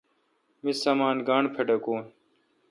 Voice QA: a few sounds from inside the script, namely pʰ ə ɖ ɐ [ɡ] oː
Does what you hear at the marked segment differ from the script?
yes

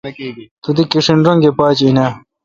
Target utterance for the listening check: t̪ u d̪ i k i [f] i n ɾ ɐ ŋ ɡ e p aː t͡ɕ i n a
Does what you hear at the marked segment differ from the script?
yes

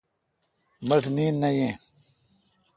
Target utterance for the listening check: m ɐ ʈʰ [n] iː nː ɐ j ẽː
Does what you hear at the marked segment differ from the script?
no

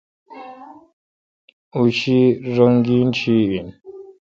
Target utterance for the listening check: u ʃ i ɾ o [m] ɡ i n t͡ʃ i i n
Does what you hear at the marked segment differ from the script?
yes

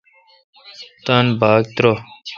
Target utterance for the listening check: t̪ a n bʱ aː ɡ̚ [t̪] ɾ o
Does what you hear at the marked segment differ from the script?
no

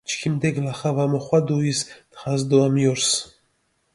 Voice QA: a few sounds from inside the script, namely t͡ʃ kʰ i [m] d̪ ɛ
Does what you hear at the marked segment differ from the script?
no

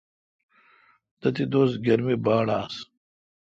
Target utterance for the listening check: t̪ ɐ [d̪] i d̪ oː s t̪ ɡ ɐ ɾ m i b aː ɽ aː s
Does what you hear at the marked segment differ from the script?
yes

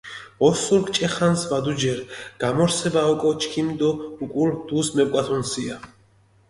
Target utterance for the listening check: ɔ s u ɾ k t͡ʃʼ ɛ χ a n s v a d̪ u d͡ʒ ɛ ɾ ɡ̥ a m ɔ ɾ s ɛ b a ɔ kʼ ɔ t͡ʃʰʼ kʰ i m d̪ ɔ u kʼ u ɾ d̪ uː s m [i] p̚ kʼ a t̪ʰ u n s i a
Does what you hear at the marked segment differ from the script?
yes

